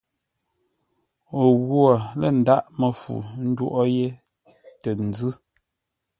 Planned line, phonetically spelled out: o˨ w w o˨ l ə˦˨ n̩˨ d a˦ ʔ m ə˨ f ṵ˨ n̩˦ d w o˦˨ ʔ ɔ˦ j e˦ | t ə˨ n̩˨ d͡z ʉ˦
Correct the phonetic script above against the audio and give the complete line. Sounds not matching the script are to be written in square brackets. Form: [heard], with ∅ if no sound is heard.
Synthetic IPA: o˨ [ɣ] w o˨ l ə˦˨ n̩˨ d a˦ ʔ m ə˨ f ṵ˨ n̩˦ d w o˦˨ ʔ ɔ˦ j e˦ | t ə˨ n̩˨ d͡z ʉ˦